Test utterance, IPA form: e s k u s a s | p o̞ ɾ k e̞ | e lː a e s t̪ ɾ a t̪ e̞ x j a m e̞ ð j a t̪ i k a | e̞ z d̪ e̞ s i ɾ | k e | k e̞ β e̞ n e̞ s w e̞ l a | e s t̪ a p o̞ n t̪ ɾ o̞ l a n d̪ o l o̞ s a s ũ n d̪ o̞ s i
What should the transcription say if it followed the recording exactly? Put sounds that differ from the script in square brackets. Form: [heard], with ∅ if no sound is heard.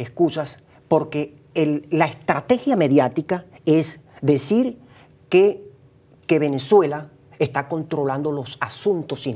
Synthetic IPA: e s k u s a s | p o̞ ɾ k e̞ | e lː a e s t̪ ɾ a t̪ e̞ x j a m e̞ ð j a t̪ i k a | e̞ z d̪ e̞ s i ɾ | k e | k e̞ β e̞ n e̞ s w e̞ l a | e s t̪ a [k] o̞ n t̪ ɾ o̞ l a n d̪ o l o̞ s a s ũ n [t̪] o̞ s i